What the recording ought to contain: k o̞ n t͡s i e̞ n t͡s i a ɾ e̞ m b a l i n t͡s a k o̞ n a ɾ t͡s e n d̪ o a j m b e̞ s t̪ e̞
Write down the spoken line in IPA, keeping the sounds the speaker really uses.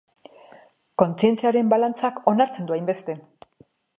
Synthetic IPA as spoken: k o̞ n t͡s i e̞ n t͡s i a ɾ e̞ m b a l a n t͡s a k o̞ n a ɾ t͡s e n d̪ u a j m b e̞ s t̪ e̞